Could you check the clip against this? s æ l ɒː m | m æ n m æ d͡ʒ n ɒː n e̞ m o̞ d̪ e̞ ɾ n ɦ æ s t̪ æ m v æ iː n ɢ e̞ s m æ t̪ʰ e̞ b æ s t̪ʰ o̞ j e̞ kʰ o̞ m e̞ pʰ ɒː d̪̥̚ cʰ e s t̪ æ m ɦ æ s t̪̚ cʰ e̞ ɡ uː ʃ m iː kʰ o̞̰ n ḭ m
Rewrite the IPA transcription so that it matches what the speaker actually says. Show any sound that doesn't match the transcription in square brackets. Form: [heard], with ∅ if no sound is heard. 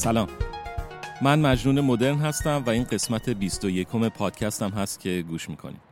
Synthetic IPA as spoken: s æ l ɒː m | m æ n m æ d͡ʒ n [uː] n e̞ m o̞ d̪ e̞ ɾ n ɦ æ s t̪ æ m v æ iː n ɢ e̞ s m æ t̪ʰ e̞ b [i] s [t̪] o̞ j e̞ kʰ o̞ m e̞ pʰ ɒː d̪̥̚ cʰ [æ] s t̪ æ m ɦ æ s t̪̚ cʰ e̞ ɡ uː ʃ m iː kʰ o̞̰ n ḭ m